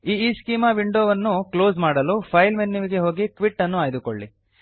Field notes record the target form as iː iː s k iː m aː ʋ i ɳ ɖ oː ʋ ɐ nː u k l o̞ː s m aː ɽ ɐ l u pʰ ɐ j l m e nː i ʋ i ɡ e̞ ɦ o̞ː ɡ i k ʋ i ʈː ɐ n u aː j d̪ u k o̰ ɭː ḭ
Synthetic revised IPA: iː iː s k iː m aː ʋ i ɳ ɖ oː ʋ ɐ nː u k l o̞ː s m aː ɽ ɐ l u pʰ ɐ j l m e nː i ʋ i ɡ e̞ ɦ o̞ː ɡ i k ʋ i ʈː ɐ nː u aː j d̪ u k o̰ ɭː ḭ